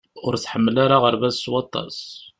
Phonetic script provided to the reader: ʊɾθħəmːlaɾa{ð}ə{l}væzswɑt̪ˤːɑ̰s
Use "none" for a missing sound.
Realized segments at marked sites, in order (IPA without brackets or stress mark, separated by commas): ʁ, ɾ